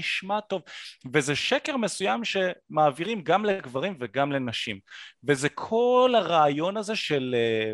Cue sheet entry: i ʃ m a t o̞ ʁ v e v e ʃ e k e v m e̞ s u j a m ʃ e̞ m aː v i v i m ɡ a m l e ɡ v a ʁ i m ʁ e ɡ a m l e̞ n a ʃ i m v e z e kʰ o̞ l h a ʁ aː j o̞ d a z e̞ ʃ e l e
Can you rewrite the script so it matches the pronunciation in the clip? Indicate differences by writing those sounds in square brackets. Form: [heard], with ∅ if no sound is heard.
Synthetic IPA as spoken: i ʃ m a t o̞ [v] v e [z] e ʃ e k e [ʁ] m e̞ s u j a m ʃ e̞ m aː v i [ʁ] i m ɡ a m l e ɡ v a ʁ i m [v] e ɡ a m l e̞ n a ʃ i m v e z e kʰ o̞ l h a ʁ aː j o̞ [n] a z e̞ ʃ e l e